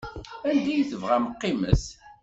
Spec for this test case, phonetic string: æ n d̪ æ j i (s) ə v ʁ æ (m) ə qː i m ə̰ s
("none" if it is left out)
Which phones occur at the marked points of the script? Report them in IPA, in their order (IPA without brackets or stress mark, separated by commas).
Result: θ, m